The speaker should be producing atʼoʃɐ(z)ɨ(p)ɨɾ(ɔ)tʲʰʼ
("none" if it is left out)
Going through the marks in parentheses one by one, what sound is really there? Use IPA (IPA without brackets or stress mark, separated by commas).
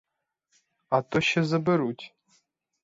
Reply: z, b, u